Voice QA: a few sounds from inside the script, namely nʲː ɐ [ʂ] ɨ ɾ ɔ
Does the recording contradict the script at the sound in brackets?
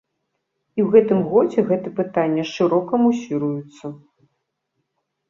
no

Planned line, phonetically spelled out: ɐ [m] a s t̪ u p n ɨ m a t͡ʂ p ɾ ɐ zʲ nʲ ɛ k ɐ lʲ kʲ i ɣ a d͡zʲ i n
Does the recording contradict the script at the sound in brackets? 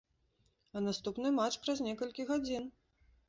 yes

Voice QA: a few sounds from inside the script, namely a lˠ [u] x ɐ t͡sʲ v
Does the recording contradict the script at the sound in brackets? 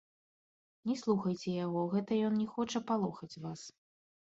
yes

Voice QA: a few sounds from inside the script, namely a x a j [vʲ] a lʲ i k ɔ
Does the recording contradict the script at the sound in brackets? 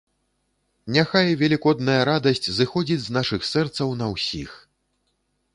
no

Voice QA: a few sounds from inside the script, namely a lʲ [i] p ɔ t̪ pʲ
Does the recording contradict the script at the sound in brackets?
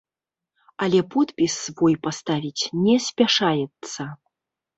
yes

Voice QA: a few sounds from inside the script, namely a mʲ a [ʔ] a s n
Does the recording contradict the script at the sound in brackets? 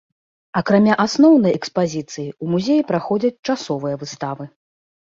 no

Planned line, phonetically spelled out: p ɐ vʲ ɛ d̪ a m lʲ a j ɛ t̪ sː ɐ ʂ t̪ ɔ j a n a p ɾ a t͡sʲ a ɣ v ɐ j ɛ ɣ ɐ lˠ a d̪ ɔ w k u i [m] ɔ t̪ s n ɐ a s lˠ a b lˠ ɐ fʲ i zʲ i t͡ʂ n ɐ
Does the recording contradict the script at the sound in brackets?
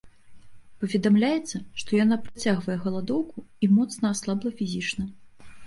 no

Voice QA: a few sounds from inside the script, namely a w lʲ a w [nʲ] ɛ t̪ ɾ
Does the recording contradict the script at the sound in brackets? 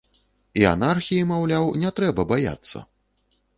no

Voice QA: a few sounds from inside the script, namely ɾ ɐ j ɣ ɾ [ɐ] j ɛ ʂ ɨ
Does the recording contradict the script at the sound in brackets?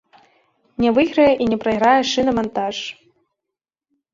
yes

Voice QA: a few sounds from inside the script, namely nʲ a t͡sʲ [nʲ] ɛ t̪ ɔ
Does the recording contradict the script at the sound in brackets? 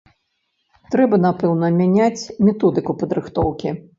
yes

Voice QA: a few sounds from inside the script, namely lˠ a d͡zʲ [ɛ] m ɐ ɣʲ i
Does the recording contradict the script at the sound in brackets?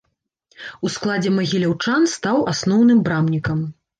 no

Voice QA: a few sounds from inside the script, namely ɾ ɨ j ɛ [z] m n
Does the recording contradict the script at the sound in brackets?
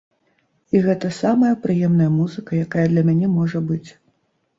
yes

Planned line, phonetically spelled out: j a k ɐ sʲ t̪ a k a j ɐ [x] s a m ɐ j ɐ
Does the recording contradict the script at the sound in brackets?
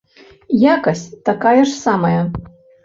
yes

